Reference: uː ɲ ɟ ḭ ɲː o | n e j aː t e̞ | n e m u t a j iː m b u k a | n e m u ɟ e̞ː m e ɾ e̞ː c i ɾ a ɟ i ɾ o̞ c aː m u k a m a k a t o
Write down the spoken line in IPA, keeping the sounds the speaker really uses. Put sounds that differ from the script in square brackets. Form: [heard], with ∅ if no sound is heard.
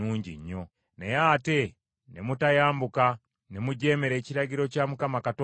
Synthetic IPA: uː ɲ ɟ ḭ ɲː o | n e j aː t e̞ | n e m u t a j [aː] m b u k a | n e m u ɟ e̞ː m e ɾ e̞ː c i ɾ a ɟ i ɾ o̞ c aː m u k a m a k a t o

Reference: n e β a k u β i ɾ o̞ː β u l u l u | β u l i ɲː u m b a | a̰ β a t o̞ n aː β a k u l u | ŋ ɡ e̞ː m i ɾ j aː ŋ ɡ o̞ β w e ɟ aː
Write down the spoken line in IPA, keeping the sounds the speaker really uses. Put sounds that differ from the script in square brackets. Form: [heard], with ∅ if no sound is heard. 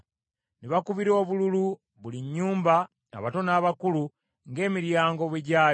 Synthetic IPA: n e β a k u β i ɾ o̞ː β u l u l u | β u l i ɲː [uː] m b a | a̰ β a t o̞ n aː β a k u l u | ŋ ɡ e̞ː m i ɾ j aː ŋ ɡ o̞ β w e ɟ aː

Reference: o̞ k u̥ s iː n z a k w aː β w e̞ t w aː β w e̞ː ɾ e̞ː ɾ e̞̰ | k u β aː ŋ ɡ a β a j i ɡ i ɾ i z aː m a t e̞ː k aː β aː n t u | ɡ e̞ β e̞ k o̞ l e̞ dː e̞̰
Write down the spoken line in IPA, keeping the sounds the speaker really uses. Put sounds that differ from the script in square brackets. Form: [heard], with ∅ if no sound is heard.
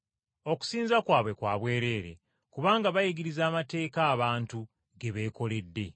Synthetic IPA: o̞ k u̥ s iː n z a k w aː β w e̞ [k] w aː β w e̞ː ɾ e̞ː ɾ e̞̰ | k u β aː ŋ ɡ a β a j i ɡ i ɾ i z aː m a t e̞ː k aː β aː n t u | ɡ e̞ β e̞ k o̞ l e̞ dː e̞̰

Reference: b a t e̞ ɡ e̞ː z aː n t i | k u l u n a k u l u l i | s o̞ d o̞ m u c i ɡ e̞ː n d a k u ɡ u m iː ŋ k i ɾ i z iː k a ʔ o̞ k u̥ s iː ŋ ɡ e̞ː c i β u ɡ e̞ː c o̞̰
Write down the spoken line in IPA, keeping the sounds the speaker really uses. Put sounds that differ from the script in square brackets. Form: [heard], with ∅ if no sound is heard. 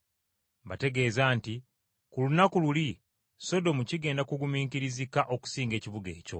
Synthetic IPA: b a t e̞ ɡ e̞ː z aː n t i | k u l u n a k u l u l i | s o̞ d o̞ m u c i ɡ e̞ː n d a k u ɡ u m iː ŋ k i ɾ i z [i] k a ʔ o̞ k u̥ s iː ŋ ɡ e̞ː c i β u ɡ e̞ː c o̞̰

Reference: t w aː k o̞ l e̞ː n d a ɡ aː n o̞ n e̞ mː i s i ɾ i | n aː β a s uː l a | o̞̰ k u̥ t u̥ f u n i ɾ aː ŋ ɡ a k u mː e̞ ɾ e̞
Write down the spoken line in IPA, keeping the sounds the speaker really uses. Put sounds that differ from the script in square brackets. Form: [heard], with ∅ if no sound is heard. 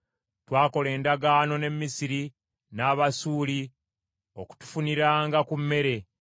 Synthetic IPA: t w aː k o̞ l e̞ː n d a ɡ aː n o̞ n e̞ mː i s i ɾ i | n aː β a s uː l [i] | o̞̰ k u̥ t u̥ f u n i ɾ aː ŋ ɡ a k u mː e̞ ɾ e̞

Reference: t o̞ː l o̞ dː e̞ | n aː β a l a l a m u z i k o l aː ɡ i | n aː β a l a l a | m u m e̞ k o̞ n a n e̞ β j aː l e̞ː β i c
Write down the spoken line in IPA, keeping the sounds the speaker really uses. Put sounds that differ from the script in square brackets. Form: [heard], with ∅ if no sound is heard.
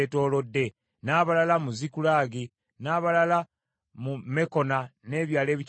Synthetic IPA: t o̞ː l o̞ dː e̞ | n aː β a l a l a m u z i k [u] l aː ɡ i | n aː β a l a l a | m u m e̞ k o̞ n a n e̞ β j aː l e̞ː β i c

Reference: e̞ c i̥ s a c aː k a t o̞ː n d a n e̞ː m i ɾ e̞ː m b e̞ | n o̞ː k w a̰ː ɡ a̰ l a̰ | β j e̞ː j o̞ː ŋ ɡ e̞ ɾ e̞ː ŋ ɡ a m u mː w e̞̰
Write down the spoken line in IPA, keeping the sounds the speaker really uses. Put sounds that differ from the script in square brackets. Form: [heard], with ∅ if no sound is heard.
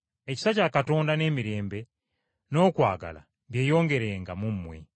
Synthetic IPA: e̞ c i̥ s a c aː k a t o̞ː n d a n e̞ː m i ɾ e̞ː m b e̞ | n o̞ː k w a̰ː ɡ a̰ l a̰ | β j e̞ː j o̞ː ŋ ɡ e̞ ɾ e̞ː ŋ ɡ a m u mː w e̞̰

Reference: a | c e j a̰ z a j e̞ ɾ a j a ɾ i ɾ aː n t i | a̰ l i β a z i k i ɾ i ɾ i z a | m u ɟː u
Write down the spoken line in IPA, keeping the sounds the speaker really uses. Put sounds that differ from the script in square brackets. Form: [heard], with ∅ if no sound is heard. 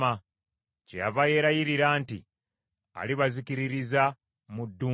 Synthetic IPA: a | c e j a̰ [v] a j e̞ ɾ a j [i] ɾ i ɾ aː n t i | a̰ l i β a z i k i ɾ i ɾ i z a | m u [dː] u

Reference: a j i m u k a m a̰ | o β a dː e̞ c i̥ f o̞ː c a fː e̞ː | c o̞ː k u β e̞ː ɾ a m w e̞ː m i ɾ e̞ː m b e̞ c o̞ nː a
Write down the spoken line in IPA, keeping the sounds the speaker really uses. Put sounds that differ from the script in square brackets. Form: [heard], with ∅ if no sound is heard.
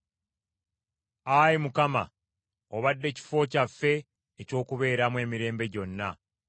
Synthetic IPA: a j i m u k a m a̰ | o β a dː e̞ c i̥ f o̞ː c a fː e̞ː | c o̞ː k u β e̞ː ɾ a m w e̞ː m i ɾ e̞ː m b e̞ [ɟ] o̞ nː a

